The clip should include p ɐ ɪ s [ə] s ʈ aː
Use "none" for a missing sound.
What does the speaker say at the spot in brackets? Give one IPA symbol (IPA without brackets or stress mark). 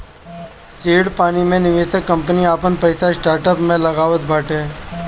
a